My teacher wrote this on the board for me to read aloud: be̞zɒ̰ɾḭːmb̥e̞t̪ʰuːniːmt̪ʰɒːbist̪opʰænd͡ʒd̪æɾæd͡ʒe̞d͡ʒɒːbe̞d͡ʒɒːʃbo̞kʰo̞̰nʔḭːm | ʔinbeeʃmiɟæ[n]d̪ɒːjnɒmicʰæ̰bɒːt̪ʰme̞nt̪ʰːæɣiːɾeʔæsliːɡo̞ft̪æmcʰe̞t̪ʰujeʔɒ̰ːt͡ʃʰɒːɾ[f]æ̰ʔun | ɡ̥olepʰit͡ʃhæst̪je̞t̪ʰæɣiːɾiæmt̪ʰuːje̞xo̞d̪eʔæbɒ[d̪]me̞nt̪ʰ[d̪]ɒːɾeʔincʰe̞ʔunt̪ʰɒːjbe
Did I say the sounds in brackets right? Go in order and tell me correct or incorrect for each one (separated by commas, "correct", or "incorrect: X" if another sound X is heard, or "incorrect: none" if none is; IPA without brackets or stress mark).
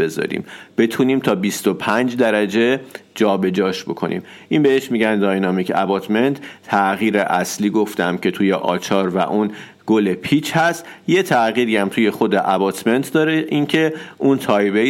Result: correct, incorrect: v, incorrect: t̪, correct